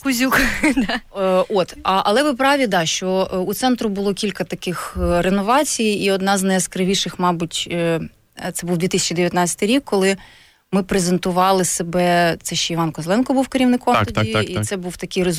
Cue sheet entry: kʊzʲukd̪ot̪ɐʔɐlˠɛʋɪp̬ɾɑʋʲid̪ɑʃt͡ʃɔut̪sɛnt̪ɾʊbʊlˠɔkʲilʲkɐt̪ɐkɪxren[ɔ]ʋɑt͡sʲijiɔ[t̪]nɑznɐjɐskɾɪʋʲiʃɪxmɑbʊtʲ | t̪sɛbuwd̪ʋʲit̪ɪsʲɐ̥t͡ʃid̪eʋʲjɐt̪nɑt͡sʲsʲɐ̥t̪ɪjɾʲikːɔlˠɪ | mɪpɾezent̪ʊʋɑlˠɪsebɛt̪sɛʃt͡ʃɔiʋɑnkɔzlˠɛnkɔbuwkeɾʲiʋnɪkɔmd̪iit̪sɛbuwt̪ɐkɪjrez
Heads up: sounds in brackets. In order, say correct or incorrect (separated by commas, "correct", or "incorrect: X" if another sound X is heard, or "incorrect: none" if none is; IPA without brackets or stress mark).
correct, incorrect: d̪